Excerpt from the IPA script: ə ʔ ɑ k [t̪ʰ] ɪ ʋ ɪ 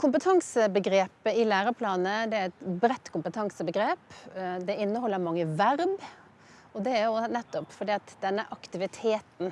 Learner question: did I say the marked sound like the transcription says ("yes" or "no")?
no